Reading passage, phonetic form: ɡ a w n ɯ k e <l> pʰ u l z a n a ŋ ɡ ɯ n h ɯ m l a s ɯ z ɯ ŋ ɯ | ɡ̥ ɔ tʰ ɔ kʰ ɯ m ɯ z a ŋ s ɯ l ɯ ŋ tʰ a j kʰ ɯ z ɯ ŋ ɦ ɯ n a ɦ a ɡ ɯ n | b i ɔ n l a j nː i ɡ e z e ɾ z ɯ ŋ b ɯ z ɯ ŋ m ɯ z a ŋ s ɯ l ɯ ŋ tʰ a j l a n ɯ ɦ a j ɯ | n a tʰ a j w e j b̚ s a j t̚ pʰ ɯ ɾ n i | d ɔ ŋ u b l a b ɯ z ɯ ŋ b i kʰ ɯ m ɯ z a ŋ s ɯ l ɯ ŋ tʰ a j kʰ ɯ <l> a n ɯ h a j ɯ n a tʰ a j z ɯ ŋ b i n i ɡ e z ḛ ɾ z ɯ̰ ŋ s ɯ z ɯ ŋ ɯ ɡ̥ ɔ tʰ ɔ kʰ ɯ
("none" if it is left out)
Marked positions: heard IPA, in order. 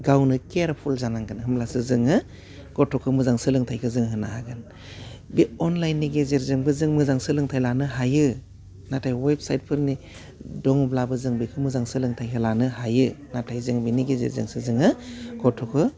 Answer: ɾ, l

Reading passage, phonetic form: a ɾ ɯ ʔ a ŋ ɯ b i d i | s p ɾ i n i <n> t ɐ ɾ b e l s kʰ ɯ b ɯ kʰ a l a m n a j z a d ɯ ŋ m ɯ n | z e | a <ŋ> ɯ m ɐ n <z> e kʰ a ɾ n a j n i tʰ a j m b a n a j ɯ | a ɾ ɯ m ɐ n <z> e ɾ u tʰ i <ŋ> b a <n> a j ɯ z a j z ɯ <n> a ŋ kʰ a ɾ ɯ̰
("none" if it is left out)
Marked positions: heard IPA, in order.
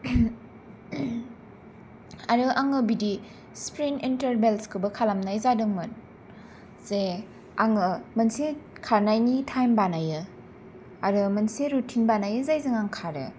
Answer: n, ŋ, s, s, n, n, ŋ

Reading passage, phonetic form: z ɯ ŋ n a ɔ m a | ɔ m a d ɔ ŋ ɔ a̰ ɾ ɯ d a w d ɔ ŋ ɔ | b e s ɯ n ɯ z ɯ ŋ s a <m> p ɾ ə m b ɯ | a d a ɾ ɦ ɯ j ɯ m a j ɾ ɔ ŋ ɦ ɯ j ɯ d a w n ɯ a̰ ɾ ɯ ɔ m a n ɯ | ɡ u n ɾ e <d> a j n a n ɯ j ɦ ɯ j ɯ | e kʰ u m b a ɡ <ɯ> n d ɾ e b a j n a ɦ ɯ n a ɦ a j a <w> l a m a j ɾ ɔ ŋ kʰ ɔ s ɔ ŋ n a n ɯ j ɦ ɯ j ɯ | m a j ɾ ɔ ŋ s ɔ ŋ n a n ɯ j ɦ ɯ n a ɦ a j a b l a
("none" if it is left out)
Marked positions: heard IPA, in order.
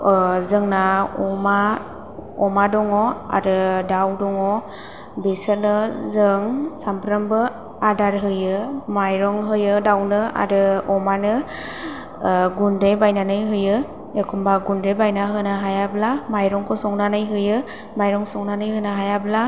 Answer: m, b, u, b

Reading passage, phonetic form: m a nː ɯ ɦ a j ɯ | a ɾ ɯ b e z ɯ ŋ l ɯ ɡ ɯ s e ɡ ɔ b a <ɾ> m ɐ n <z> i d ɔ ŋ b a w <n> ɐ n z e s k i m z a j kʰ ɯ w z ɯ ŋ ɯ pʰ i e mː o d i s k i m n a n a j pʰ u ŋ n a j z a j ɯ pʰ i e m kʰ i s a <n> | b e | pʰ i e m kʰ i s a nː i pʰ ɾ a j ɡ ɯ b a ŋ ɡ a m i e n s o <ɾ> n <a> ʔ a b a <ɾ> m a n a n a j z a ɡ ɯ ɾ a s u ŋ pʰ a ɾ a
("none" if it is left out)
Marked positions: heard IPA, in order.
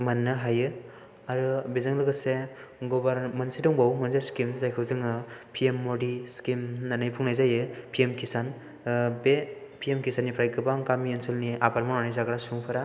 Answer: ɾ, s, m, n, l, i, ɾ

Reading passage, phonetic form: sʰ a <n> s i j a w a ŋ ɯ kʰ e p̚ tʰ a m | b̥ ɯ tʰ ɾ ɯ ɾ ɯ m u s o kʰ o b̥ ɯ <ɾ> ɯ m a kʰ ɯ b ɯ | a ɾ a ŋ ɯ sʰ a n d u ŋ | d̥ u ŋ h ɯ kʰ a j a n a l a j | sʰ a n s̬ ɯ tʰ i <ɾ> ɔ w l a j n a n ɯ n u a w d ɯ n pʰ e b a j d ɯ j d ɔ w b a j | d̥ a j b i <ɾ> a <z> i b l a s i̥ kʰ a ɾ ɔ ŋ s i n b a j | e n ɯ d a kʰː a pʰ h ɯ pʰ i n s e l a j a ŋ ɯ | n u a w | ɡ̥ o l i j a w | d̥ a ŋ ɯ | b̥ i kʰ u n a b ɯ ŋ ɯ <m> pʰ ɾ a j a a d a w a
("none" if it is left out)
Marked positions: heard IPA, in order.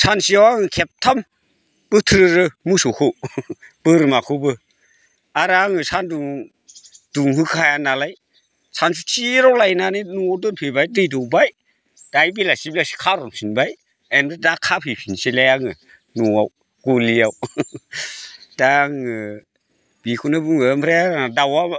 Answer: n, ɾ, ɾ, l, s, m

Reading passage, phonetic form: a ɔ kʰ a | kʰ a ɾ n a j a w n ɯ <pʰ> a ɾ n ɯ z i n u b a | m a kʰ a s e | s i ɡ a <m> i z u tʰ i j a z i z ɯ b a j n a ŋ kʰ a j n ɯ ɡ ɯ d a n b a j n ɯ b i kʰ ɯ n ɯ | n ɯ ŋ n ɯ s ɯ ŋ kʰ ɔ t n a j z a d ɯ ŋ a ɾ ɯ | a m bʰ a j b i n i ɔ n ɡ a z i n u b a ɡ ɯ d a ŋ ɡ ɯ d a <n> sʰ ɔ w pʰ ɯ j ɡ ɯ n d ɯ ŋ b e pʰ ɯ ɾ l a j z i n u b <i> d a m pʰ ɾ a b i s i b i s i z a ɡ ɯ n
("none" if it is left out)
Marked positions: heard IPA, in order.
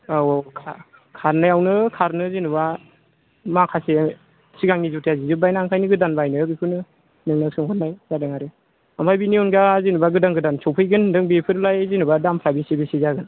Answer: kʰ, ŋ, n, a

